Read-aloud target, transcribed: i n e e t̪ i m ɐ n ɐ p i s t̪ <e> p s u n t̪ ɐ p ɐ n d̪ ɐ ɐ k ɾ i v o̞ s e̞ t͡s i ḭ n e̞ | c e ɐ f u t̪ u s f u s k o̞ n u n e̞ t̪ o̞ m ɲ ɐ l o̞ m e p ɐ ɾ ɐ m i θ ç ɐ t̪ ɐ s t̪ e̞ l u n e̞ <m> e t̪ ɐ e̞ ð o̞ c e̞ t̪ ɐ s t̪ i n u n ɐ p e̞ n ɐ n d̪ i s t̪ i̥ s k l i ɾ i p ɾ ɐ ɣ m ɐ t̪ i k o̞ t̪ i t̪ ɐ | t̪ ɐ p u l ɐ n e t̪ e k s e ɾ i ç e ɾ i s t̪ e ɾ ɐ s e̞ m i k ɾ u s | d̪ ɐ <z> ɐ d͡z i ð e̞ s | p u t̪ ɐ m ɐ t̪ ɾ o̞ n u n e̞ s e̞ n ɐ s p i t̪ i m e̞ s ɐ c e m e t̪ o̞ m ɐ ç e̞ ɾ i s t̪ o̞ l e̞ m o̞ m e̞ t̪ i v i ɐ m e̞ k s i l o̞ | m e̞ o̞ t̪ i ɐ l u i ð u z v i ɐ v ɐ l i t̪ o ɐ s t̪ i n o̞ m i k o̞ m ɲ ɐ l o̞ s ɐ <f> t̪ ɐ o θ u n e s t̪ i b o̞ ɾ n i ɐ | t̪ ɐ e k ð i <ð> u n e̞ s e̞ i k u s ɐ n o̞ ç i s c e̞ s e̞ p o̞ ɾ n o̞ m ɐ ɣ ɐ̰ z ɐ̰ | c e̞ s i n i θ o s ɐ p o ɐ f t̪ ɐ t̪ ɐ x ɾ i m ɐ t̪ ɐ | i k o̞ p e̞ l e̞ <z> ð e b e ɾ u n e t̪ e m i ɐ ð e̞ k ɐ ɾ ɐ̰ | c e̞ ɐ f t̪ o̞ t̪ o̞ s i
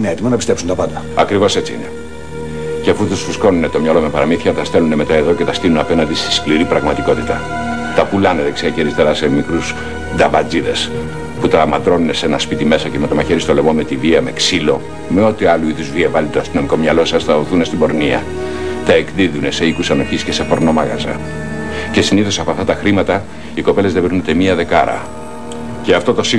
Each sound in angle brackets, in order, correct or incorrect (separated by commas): correct, correct, incorrect, incorrect, correct, correct